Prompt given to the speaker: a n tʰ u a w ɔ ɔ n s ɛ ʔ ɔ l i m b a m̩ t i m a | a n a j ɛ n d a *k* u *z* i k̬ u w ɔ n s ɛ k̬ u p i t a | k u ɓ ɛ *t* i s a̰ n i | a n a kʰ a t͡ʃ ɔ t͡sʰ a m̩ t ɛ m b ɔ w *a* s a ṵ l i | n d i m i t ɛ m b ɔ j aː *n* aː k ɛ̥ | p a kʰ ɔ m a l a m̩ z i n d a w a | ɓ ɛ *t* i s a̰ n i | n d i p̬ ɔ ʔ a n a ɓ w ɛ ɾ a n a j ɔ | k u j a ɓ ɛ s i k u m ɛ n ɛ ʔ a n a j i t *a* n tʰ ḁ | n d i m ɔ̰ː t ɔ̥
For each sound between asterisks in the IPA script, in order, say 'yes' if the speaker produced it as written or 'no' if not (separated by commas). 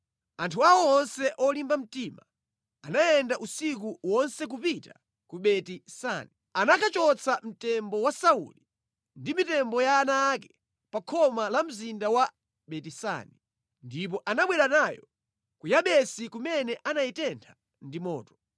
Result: no, no, yes, yes, yes, yes, no